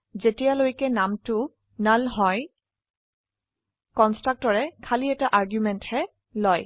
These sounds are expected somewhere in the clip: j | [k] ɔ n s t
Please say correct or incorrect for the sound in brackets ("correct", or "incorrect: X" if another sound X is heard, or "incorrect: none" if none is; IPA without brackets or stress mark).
correct